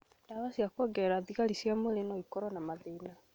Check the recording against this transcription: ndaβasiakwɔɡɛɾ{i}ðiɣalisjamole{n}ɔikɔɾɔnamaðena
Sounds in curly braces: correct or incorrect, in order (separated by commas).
incorrect, correct